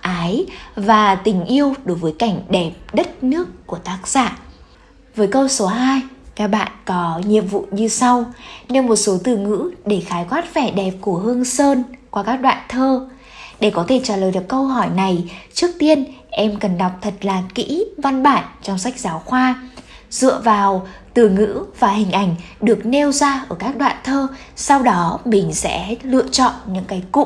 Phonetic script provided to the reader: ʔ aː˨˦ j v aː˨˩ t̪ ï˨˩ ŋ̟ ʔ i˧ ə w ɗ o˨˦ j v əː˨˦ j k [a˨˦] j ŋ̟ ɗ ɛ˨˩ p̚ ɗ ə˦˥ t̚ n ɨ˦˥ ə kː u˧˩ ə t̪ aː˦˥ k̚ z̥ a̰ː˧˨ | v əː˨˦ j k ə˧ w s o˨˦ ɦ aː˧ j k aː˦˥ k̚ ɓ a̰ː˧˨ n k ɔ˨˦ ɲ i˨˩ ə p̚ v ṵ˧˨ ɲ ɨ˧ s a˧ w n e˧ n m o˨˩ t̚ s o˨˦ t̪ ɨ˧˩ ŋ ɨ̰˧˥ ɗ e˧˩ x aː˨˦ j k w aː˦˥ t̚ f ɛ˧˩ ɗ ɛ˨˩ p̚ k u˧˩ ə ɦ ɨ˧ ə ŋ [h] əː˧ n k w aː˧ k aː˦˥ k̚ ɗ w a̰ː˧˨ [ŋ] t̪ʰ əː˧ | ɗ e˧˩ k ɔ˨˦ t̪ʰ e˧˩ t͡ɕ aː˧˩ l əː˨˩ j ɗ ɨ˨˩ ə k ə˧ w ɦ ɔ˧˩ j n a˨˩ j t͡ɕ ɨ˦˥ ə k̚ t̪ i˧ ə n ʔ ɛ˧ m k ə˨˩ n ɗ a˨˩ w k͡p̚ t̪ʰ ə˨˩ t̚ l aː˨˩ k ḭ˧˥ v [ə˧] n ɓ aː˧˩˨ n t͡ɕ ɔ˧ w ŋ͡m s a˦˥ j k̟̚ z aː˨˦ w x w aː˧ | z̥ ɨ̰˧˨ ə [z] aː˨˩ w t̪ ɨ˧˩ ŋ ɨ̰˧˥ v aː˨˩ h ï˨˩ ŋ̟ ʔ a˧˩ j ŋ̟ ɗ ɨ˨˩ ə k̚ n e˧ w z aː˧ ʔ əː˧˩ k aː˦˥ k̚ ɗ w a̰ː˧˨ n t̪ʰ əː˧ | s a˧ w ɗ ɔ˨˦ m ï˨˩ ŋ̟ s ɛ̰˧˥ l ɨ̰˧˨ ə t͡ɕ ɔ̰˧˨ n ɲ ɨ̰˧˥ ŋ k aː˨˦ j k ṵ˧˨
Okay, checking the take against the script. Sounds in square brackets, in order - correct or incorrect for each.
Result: incorrect, incorrect, incorrect, incorrect, incorrect

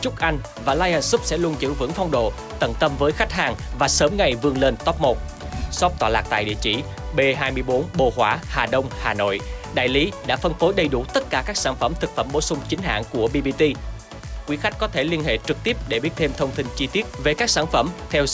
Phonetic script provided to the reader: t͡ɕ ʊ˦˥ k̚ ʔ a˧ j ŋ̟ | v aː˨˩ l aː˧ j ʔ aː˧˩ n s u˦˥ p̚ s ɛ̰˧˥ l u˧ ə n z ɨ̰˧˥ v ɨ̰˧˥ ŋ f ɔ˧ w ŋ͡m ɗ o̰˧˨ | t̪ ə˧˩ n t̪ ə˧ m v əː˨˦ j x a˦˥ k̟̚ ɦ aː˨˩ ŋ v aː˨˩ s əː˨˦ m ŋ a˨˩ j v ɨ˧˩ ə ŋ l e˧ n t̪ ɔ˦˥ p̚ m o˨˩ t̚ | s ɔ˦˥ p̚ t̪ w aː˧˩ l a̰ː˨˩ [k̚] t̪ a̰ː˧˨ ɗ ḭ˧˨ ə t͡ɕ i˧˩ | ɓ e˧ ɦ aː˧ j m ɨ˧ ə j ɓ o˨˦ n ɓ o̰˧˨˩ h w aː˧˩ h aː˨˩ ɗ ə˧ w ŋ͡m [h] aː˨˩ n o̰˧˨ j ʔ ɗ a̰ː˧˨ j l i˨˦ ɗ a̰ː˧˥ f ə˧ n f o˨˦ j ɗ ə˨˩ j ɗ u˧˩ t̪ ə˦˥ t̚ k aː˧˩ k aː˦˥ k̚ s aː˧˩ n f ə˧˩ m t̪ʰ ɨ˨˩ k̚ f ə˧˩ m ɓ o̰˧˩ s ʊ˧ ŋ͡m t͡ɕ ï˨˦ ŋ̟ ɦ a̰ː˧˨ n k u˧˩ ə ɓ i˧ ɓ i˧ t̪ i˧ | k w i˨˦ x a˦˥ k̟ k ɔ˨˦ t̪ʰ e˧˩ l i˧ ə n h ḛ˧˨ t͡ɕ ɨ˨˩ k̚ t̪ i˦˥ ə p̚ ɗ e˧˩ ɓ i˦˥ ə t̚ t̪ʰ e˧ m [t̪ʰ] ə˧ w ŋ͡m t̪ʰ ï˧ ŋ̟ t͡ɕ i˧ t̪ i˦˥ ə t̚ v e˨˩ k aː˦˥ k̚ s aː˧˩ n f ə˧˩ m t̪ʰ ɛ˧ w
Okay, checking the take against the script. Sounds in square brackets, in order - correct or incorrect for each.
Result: correct, correct, correct

